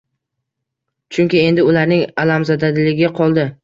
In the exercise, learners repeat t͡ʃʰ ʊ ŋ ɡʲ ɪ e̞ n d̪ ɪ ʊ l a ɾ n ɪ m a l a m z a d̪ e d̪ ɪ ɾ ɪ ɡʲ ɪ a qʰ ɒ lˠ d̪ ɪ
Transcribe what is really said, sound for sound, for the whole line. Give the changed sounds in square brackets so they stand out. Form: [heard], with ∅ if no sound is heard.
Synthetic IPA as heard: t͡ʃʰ ʊ ŋ [kʲ] ɪ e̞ n d̪ ɪ ʊ l a ɾ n ɪ [ŋ] a l a m z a d̪ [a] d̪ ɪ [l] ɪ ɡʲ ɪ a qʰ ɒ lˠ d̪ ɪ